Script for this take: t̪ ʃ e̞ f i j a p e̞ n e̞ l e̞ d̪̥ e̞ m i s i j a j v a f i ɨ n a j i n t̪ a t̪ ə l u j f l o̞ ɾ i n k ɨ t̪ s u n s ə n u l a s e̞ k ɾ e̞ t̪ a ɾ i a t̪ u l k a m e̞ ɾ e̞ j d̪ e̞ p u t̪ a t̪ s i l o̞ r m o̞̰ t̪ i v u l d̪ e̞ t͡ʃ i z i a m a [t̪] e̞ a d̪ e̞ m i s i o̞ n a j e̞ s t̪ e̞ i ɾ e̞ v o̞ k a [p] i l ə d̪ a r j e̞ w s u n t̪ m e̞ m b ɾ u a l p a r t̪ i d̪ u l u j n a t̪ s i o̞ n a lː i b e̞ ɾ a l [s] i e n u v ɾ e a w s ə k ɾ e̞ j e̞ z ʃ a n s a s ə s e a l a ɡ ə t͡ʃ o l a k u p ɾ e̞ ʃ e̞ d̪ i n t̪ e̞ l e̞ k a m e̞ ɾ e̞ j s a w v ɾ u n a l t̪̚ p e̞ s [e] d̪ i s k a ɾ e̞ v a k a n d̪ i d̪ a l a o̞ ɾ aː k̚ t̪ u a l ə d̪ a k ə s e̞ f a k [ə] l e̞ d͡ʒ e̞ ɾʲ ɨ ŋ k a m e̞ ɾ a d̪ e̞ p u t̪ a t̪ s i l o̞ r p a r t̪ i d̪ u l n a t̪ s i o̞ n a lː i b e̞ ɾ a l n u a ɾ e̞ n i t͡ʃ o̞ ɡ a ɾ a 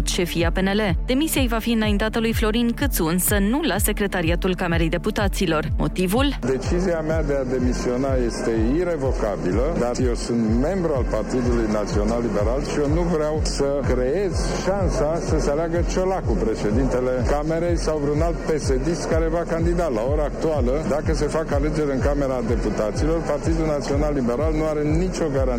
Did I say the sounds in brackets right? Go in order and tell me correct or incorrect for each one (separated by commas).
incorrect, incorrect, incorrect, correct, incorrect